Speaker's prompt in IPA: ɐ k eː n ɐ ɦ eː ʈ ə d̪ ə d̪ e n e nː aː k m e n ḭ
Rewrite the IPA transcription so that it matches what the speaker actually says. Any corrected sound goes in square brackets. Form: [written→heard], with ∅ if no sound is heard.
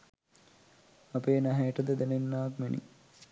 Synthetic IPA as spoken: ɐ [k→p] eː n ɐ ɦ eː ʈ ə d̪ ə d̪ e n e nː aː k m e n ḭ